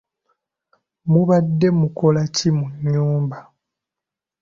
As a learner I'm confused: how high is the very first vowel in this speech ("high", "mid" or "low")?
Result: high